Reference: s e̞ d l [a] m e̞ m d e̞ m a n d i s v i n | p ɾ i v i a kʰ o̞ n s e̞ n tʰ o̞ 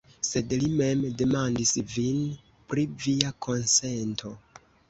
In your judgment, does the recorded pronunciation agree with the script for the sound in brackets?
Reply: no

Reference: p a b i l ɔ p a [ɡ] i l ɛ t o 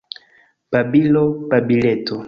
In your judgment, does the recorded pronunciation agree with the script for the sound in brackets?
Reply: no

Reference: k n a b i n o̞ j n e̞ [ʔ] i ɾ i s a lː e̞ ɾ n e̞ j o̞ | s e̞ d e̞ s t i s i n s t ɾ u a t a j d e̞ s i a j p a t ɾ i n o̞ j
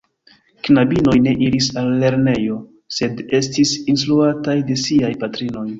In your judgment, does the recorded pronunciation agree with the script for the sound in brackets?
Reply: yes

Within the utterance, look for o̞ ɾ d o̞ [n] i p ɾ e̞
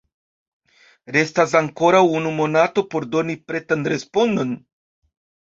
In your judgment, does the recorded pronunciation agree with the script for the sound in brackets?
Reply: yes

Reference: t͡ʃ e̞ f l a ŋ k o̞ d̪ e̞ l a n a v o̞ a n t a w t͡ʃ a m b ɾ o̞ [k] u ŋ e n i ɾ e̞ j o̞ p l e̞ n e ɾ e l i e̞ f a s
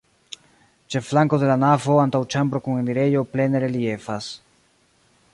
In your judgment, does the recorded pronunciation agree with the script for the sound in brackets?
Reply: yes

